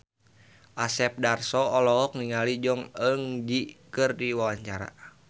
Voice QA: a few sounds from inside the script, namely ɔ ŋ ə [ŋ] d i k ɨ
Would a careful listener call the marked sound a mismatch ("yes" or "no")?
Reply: no